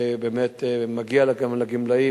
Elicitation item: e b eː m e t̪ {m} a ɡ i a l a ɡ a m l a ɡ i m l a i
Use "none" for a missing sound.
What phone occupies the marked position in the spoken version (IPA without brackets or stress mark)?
m